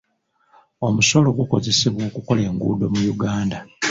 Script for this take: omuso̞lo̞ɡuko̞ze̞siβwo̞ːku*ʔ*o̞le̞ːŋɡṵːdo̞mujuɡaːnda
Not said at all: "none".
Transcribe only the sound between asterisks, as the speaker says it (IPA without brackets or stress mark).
k